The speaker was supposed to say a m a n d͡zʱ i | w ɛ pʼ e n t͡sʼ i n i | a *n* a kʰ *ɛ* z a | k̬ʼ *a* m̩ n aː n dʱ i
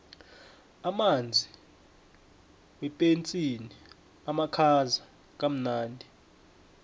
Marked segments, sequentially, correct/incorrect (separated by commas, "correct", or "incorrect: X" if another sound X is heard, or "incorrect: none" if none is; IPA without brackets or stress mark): incorrect: m, incorrect: a, correct